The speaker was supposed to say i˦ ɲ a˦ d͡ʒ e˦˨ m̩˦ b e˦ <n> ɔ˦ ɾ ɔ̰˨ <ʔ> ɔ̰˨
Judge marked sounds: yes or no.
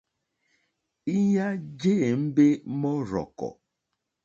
no, no

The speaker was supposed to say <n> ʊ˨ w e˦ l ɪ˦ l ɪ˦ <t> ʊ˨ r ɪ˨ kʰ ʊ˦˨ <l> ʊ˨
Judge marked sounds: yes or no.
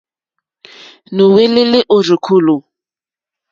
yes, no, yes

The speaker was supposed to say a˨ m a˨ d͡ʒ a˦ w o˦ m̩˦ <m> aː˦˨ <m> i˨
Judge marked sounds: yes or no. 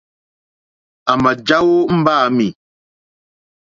no, yes

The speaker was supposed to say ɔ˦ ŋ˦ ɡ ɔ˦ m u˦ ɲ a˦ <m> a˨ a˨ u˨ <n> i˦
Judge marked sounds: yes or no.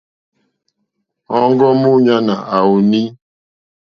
no, yes

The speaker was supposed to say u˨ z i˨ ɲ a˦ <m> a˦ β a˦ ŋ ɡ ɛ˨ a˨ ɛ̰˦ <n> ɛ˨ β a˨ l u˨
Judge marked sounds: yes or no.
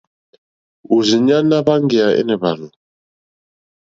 no, yes

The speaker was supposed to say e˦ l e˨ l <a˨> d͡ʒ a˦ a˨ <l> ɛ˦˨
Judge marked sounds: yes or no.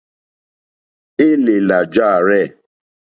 yes, no

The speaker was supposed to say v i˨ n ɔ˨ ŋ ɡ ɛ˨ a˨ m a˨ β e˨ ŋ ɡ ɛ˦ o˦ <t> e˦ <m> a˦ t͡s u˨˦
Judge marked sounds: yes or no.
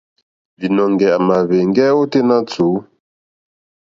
yes, no

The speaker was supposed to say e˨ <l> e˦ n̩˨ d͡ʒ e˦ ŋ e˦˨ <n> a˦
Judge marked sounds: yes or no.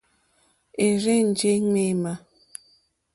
no, no

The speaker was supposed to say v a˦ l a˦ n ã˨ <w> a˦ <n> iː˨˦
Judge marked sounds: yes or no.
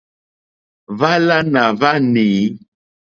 no, yes

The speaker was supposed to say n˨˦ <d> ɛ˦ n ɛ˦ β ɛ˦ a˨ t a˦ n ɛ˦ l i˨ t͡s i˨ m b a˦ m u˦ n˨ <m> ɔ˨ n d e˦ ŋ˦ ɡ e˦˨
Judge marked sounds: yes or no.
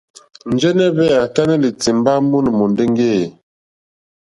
no, yes

